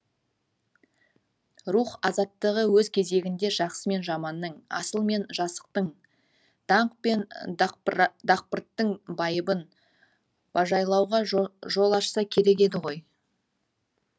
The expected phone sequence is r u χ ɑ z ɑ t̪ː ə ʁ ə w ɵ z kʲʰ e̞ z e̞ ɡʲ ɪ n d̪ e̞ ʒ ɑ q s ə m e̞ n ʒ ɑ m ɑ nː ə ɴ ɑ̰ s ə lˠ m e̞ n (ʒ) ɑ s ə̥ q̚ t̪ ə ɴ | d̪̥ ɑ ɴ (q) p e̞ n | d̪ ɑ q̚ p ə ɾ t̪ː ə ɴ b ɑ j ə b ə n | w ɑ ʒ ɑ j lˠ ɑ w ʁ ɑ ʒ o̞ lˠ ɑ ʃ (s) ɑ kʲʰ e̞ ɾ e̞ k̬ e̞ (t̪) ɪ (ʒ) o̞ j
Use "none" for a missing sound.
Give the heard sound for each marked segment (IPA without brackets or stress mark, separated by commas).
ʒ, q, s, d̪, ʁ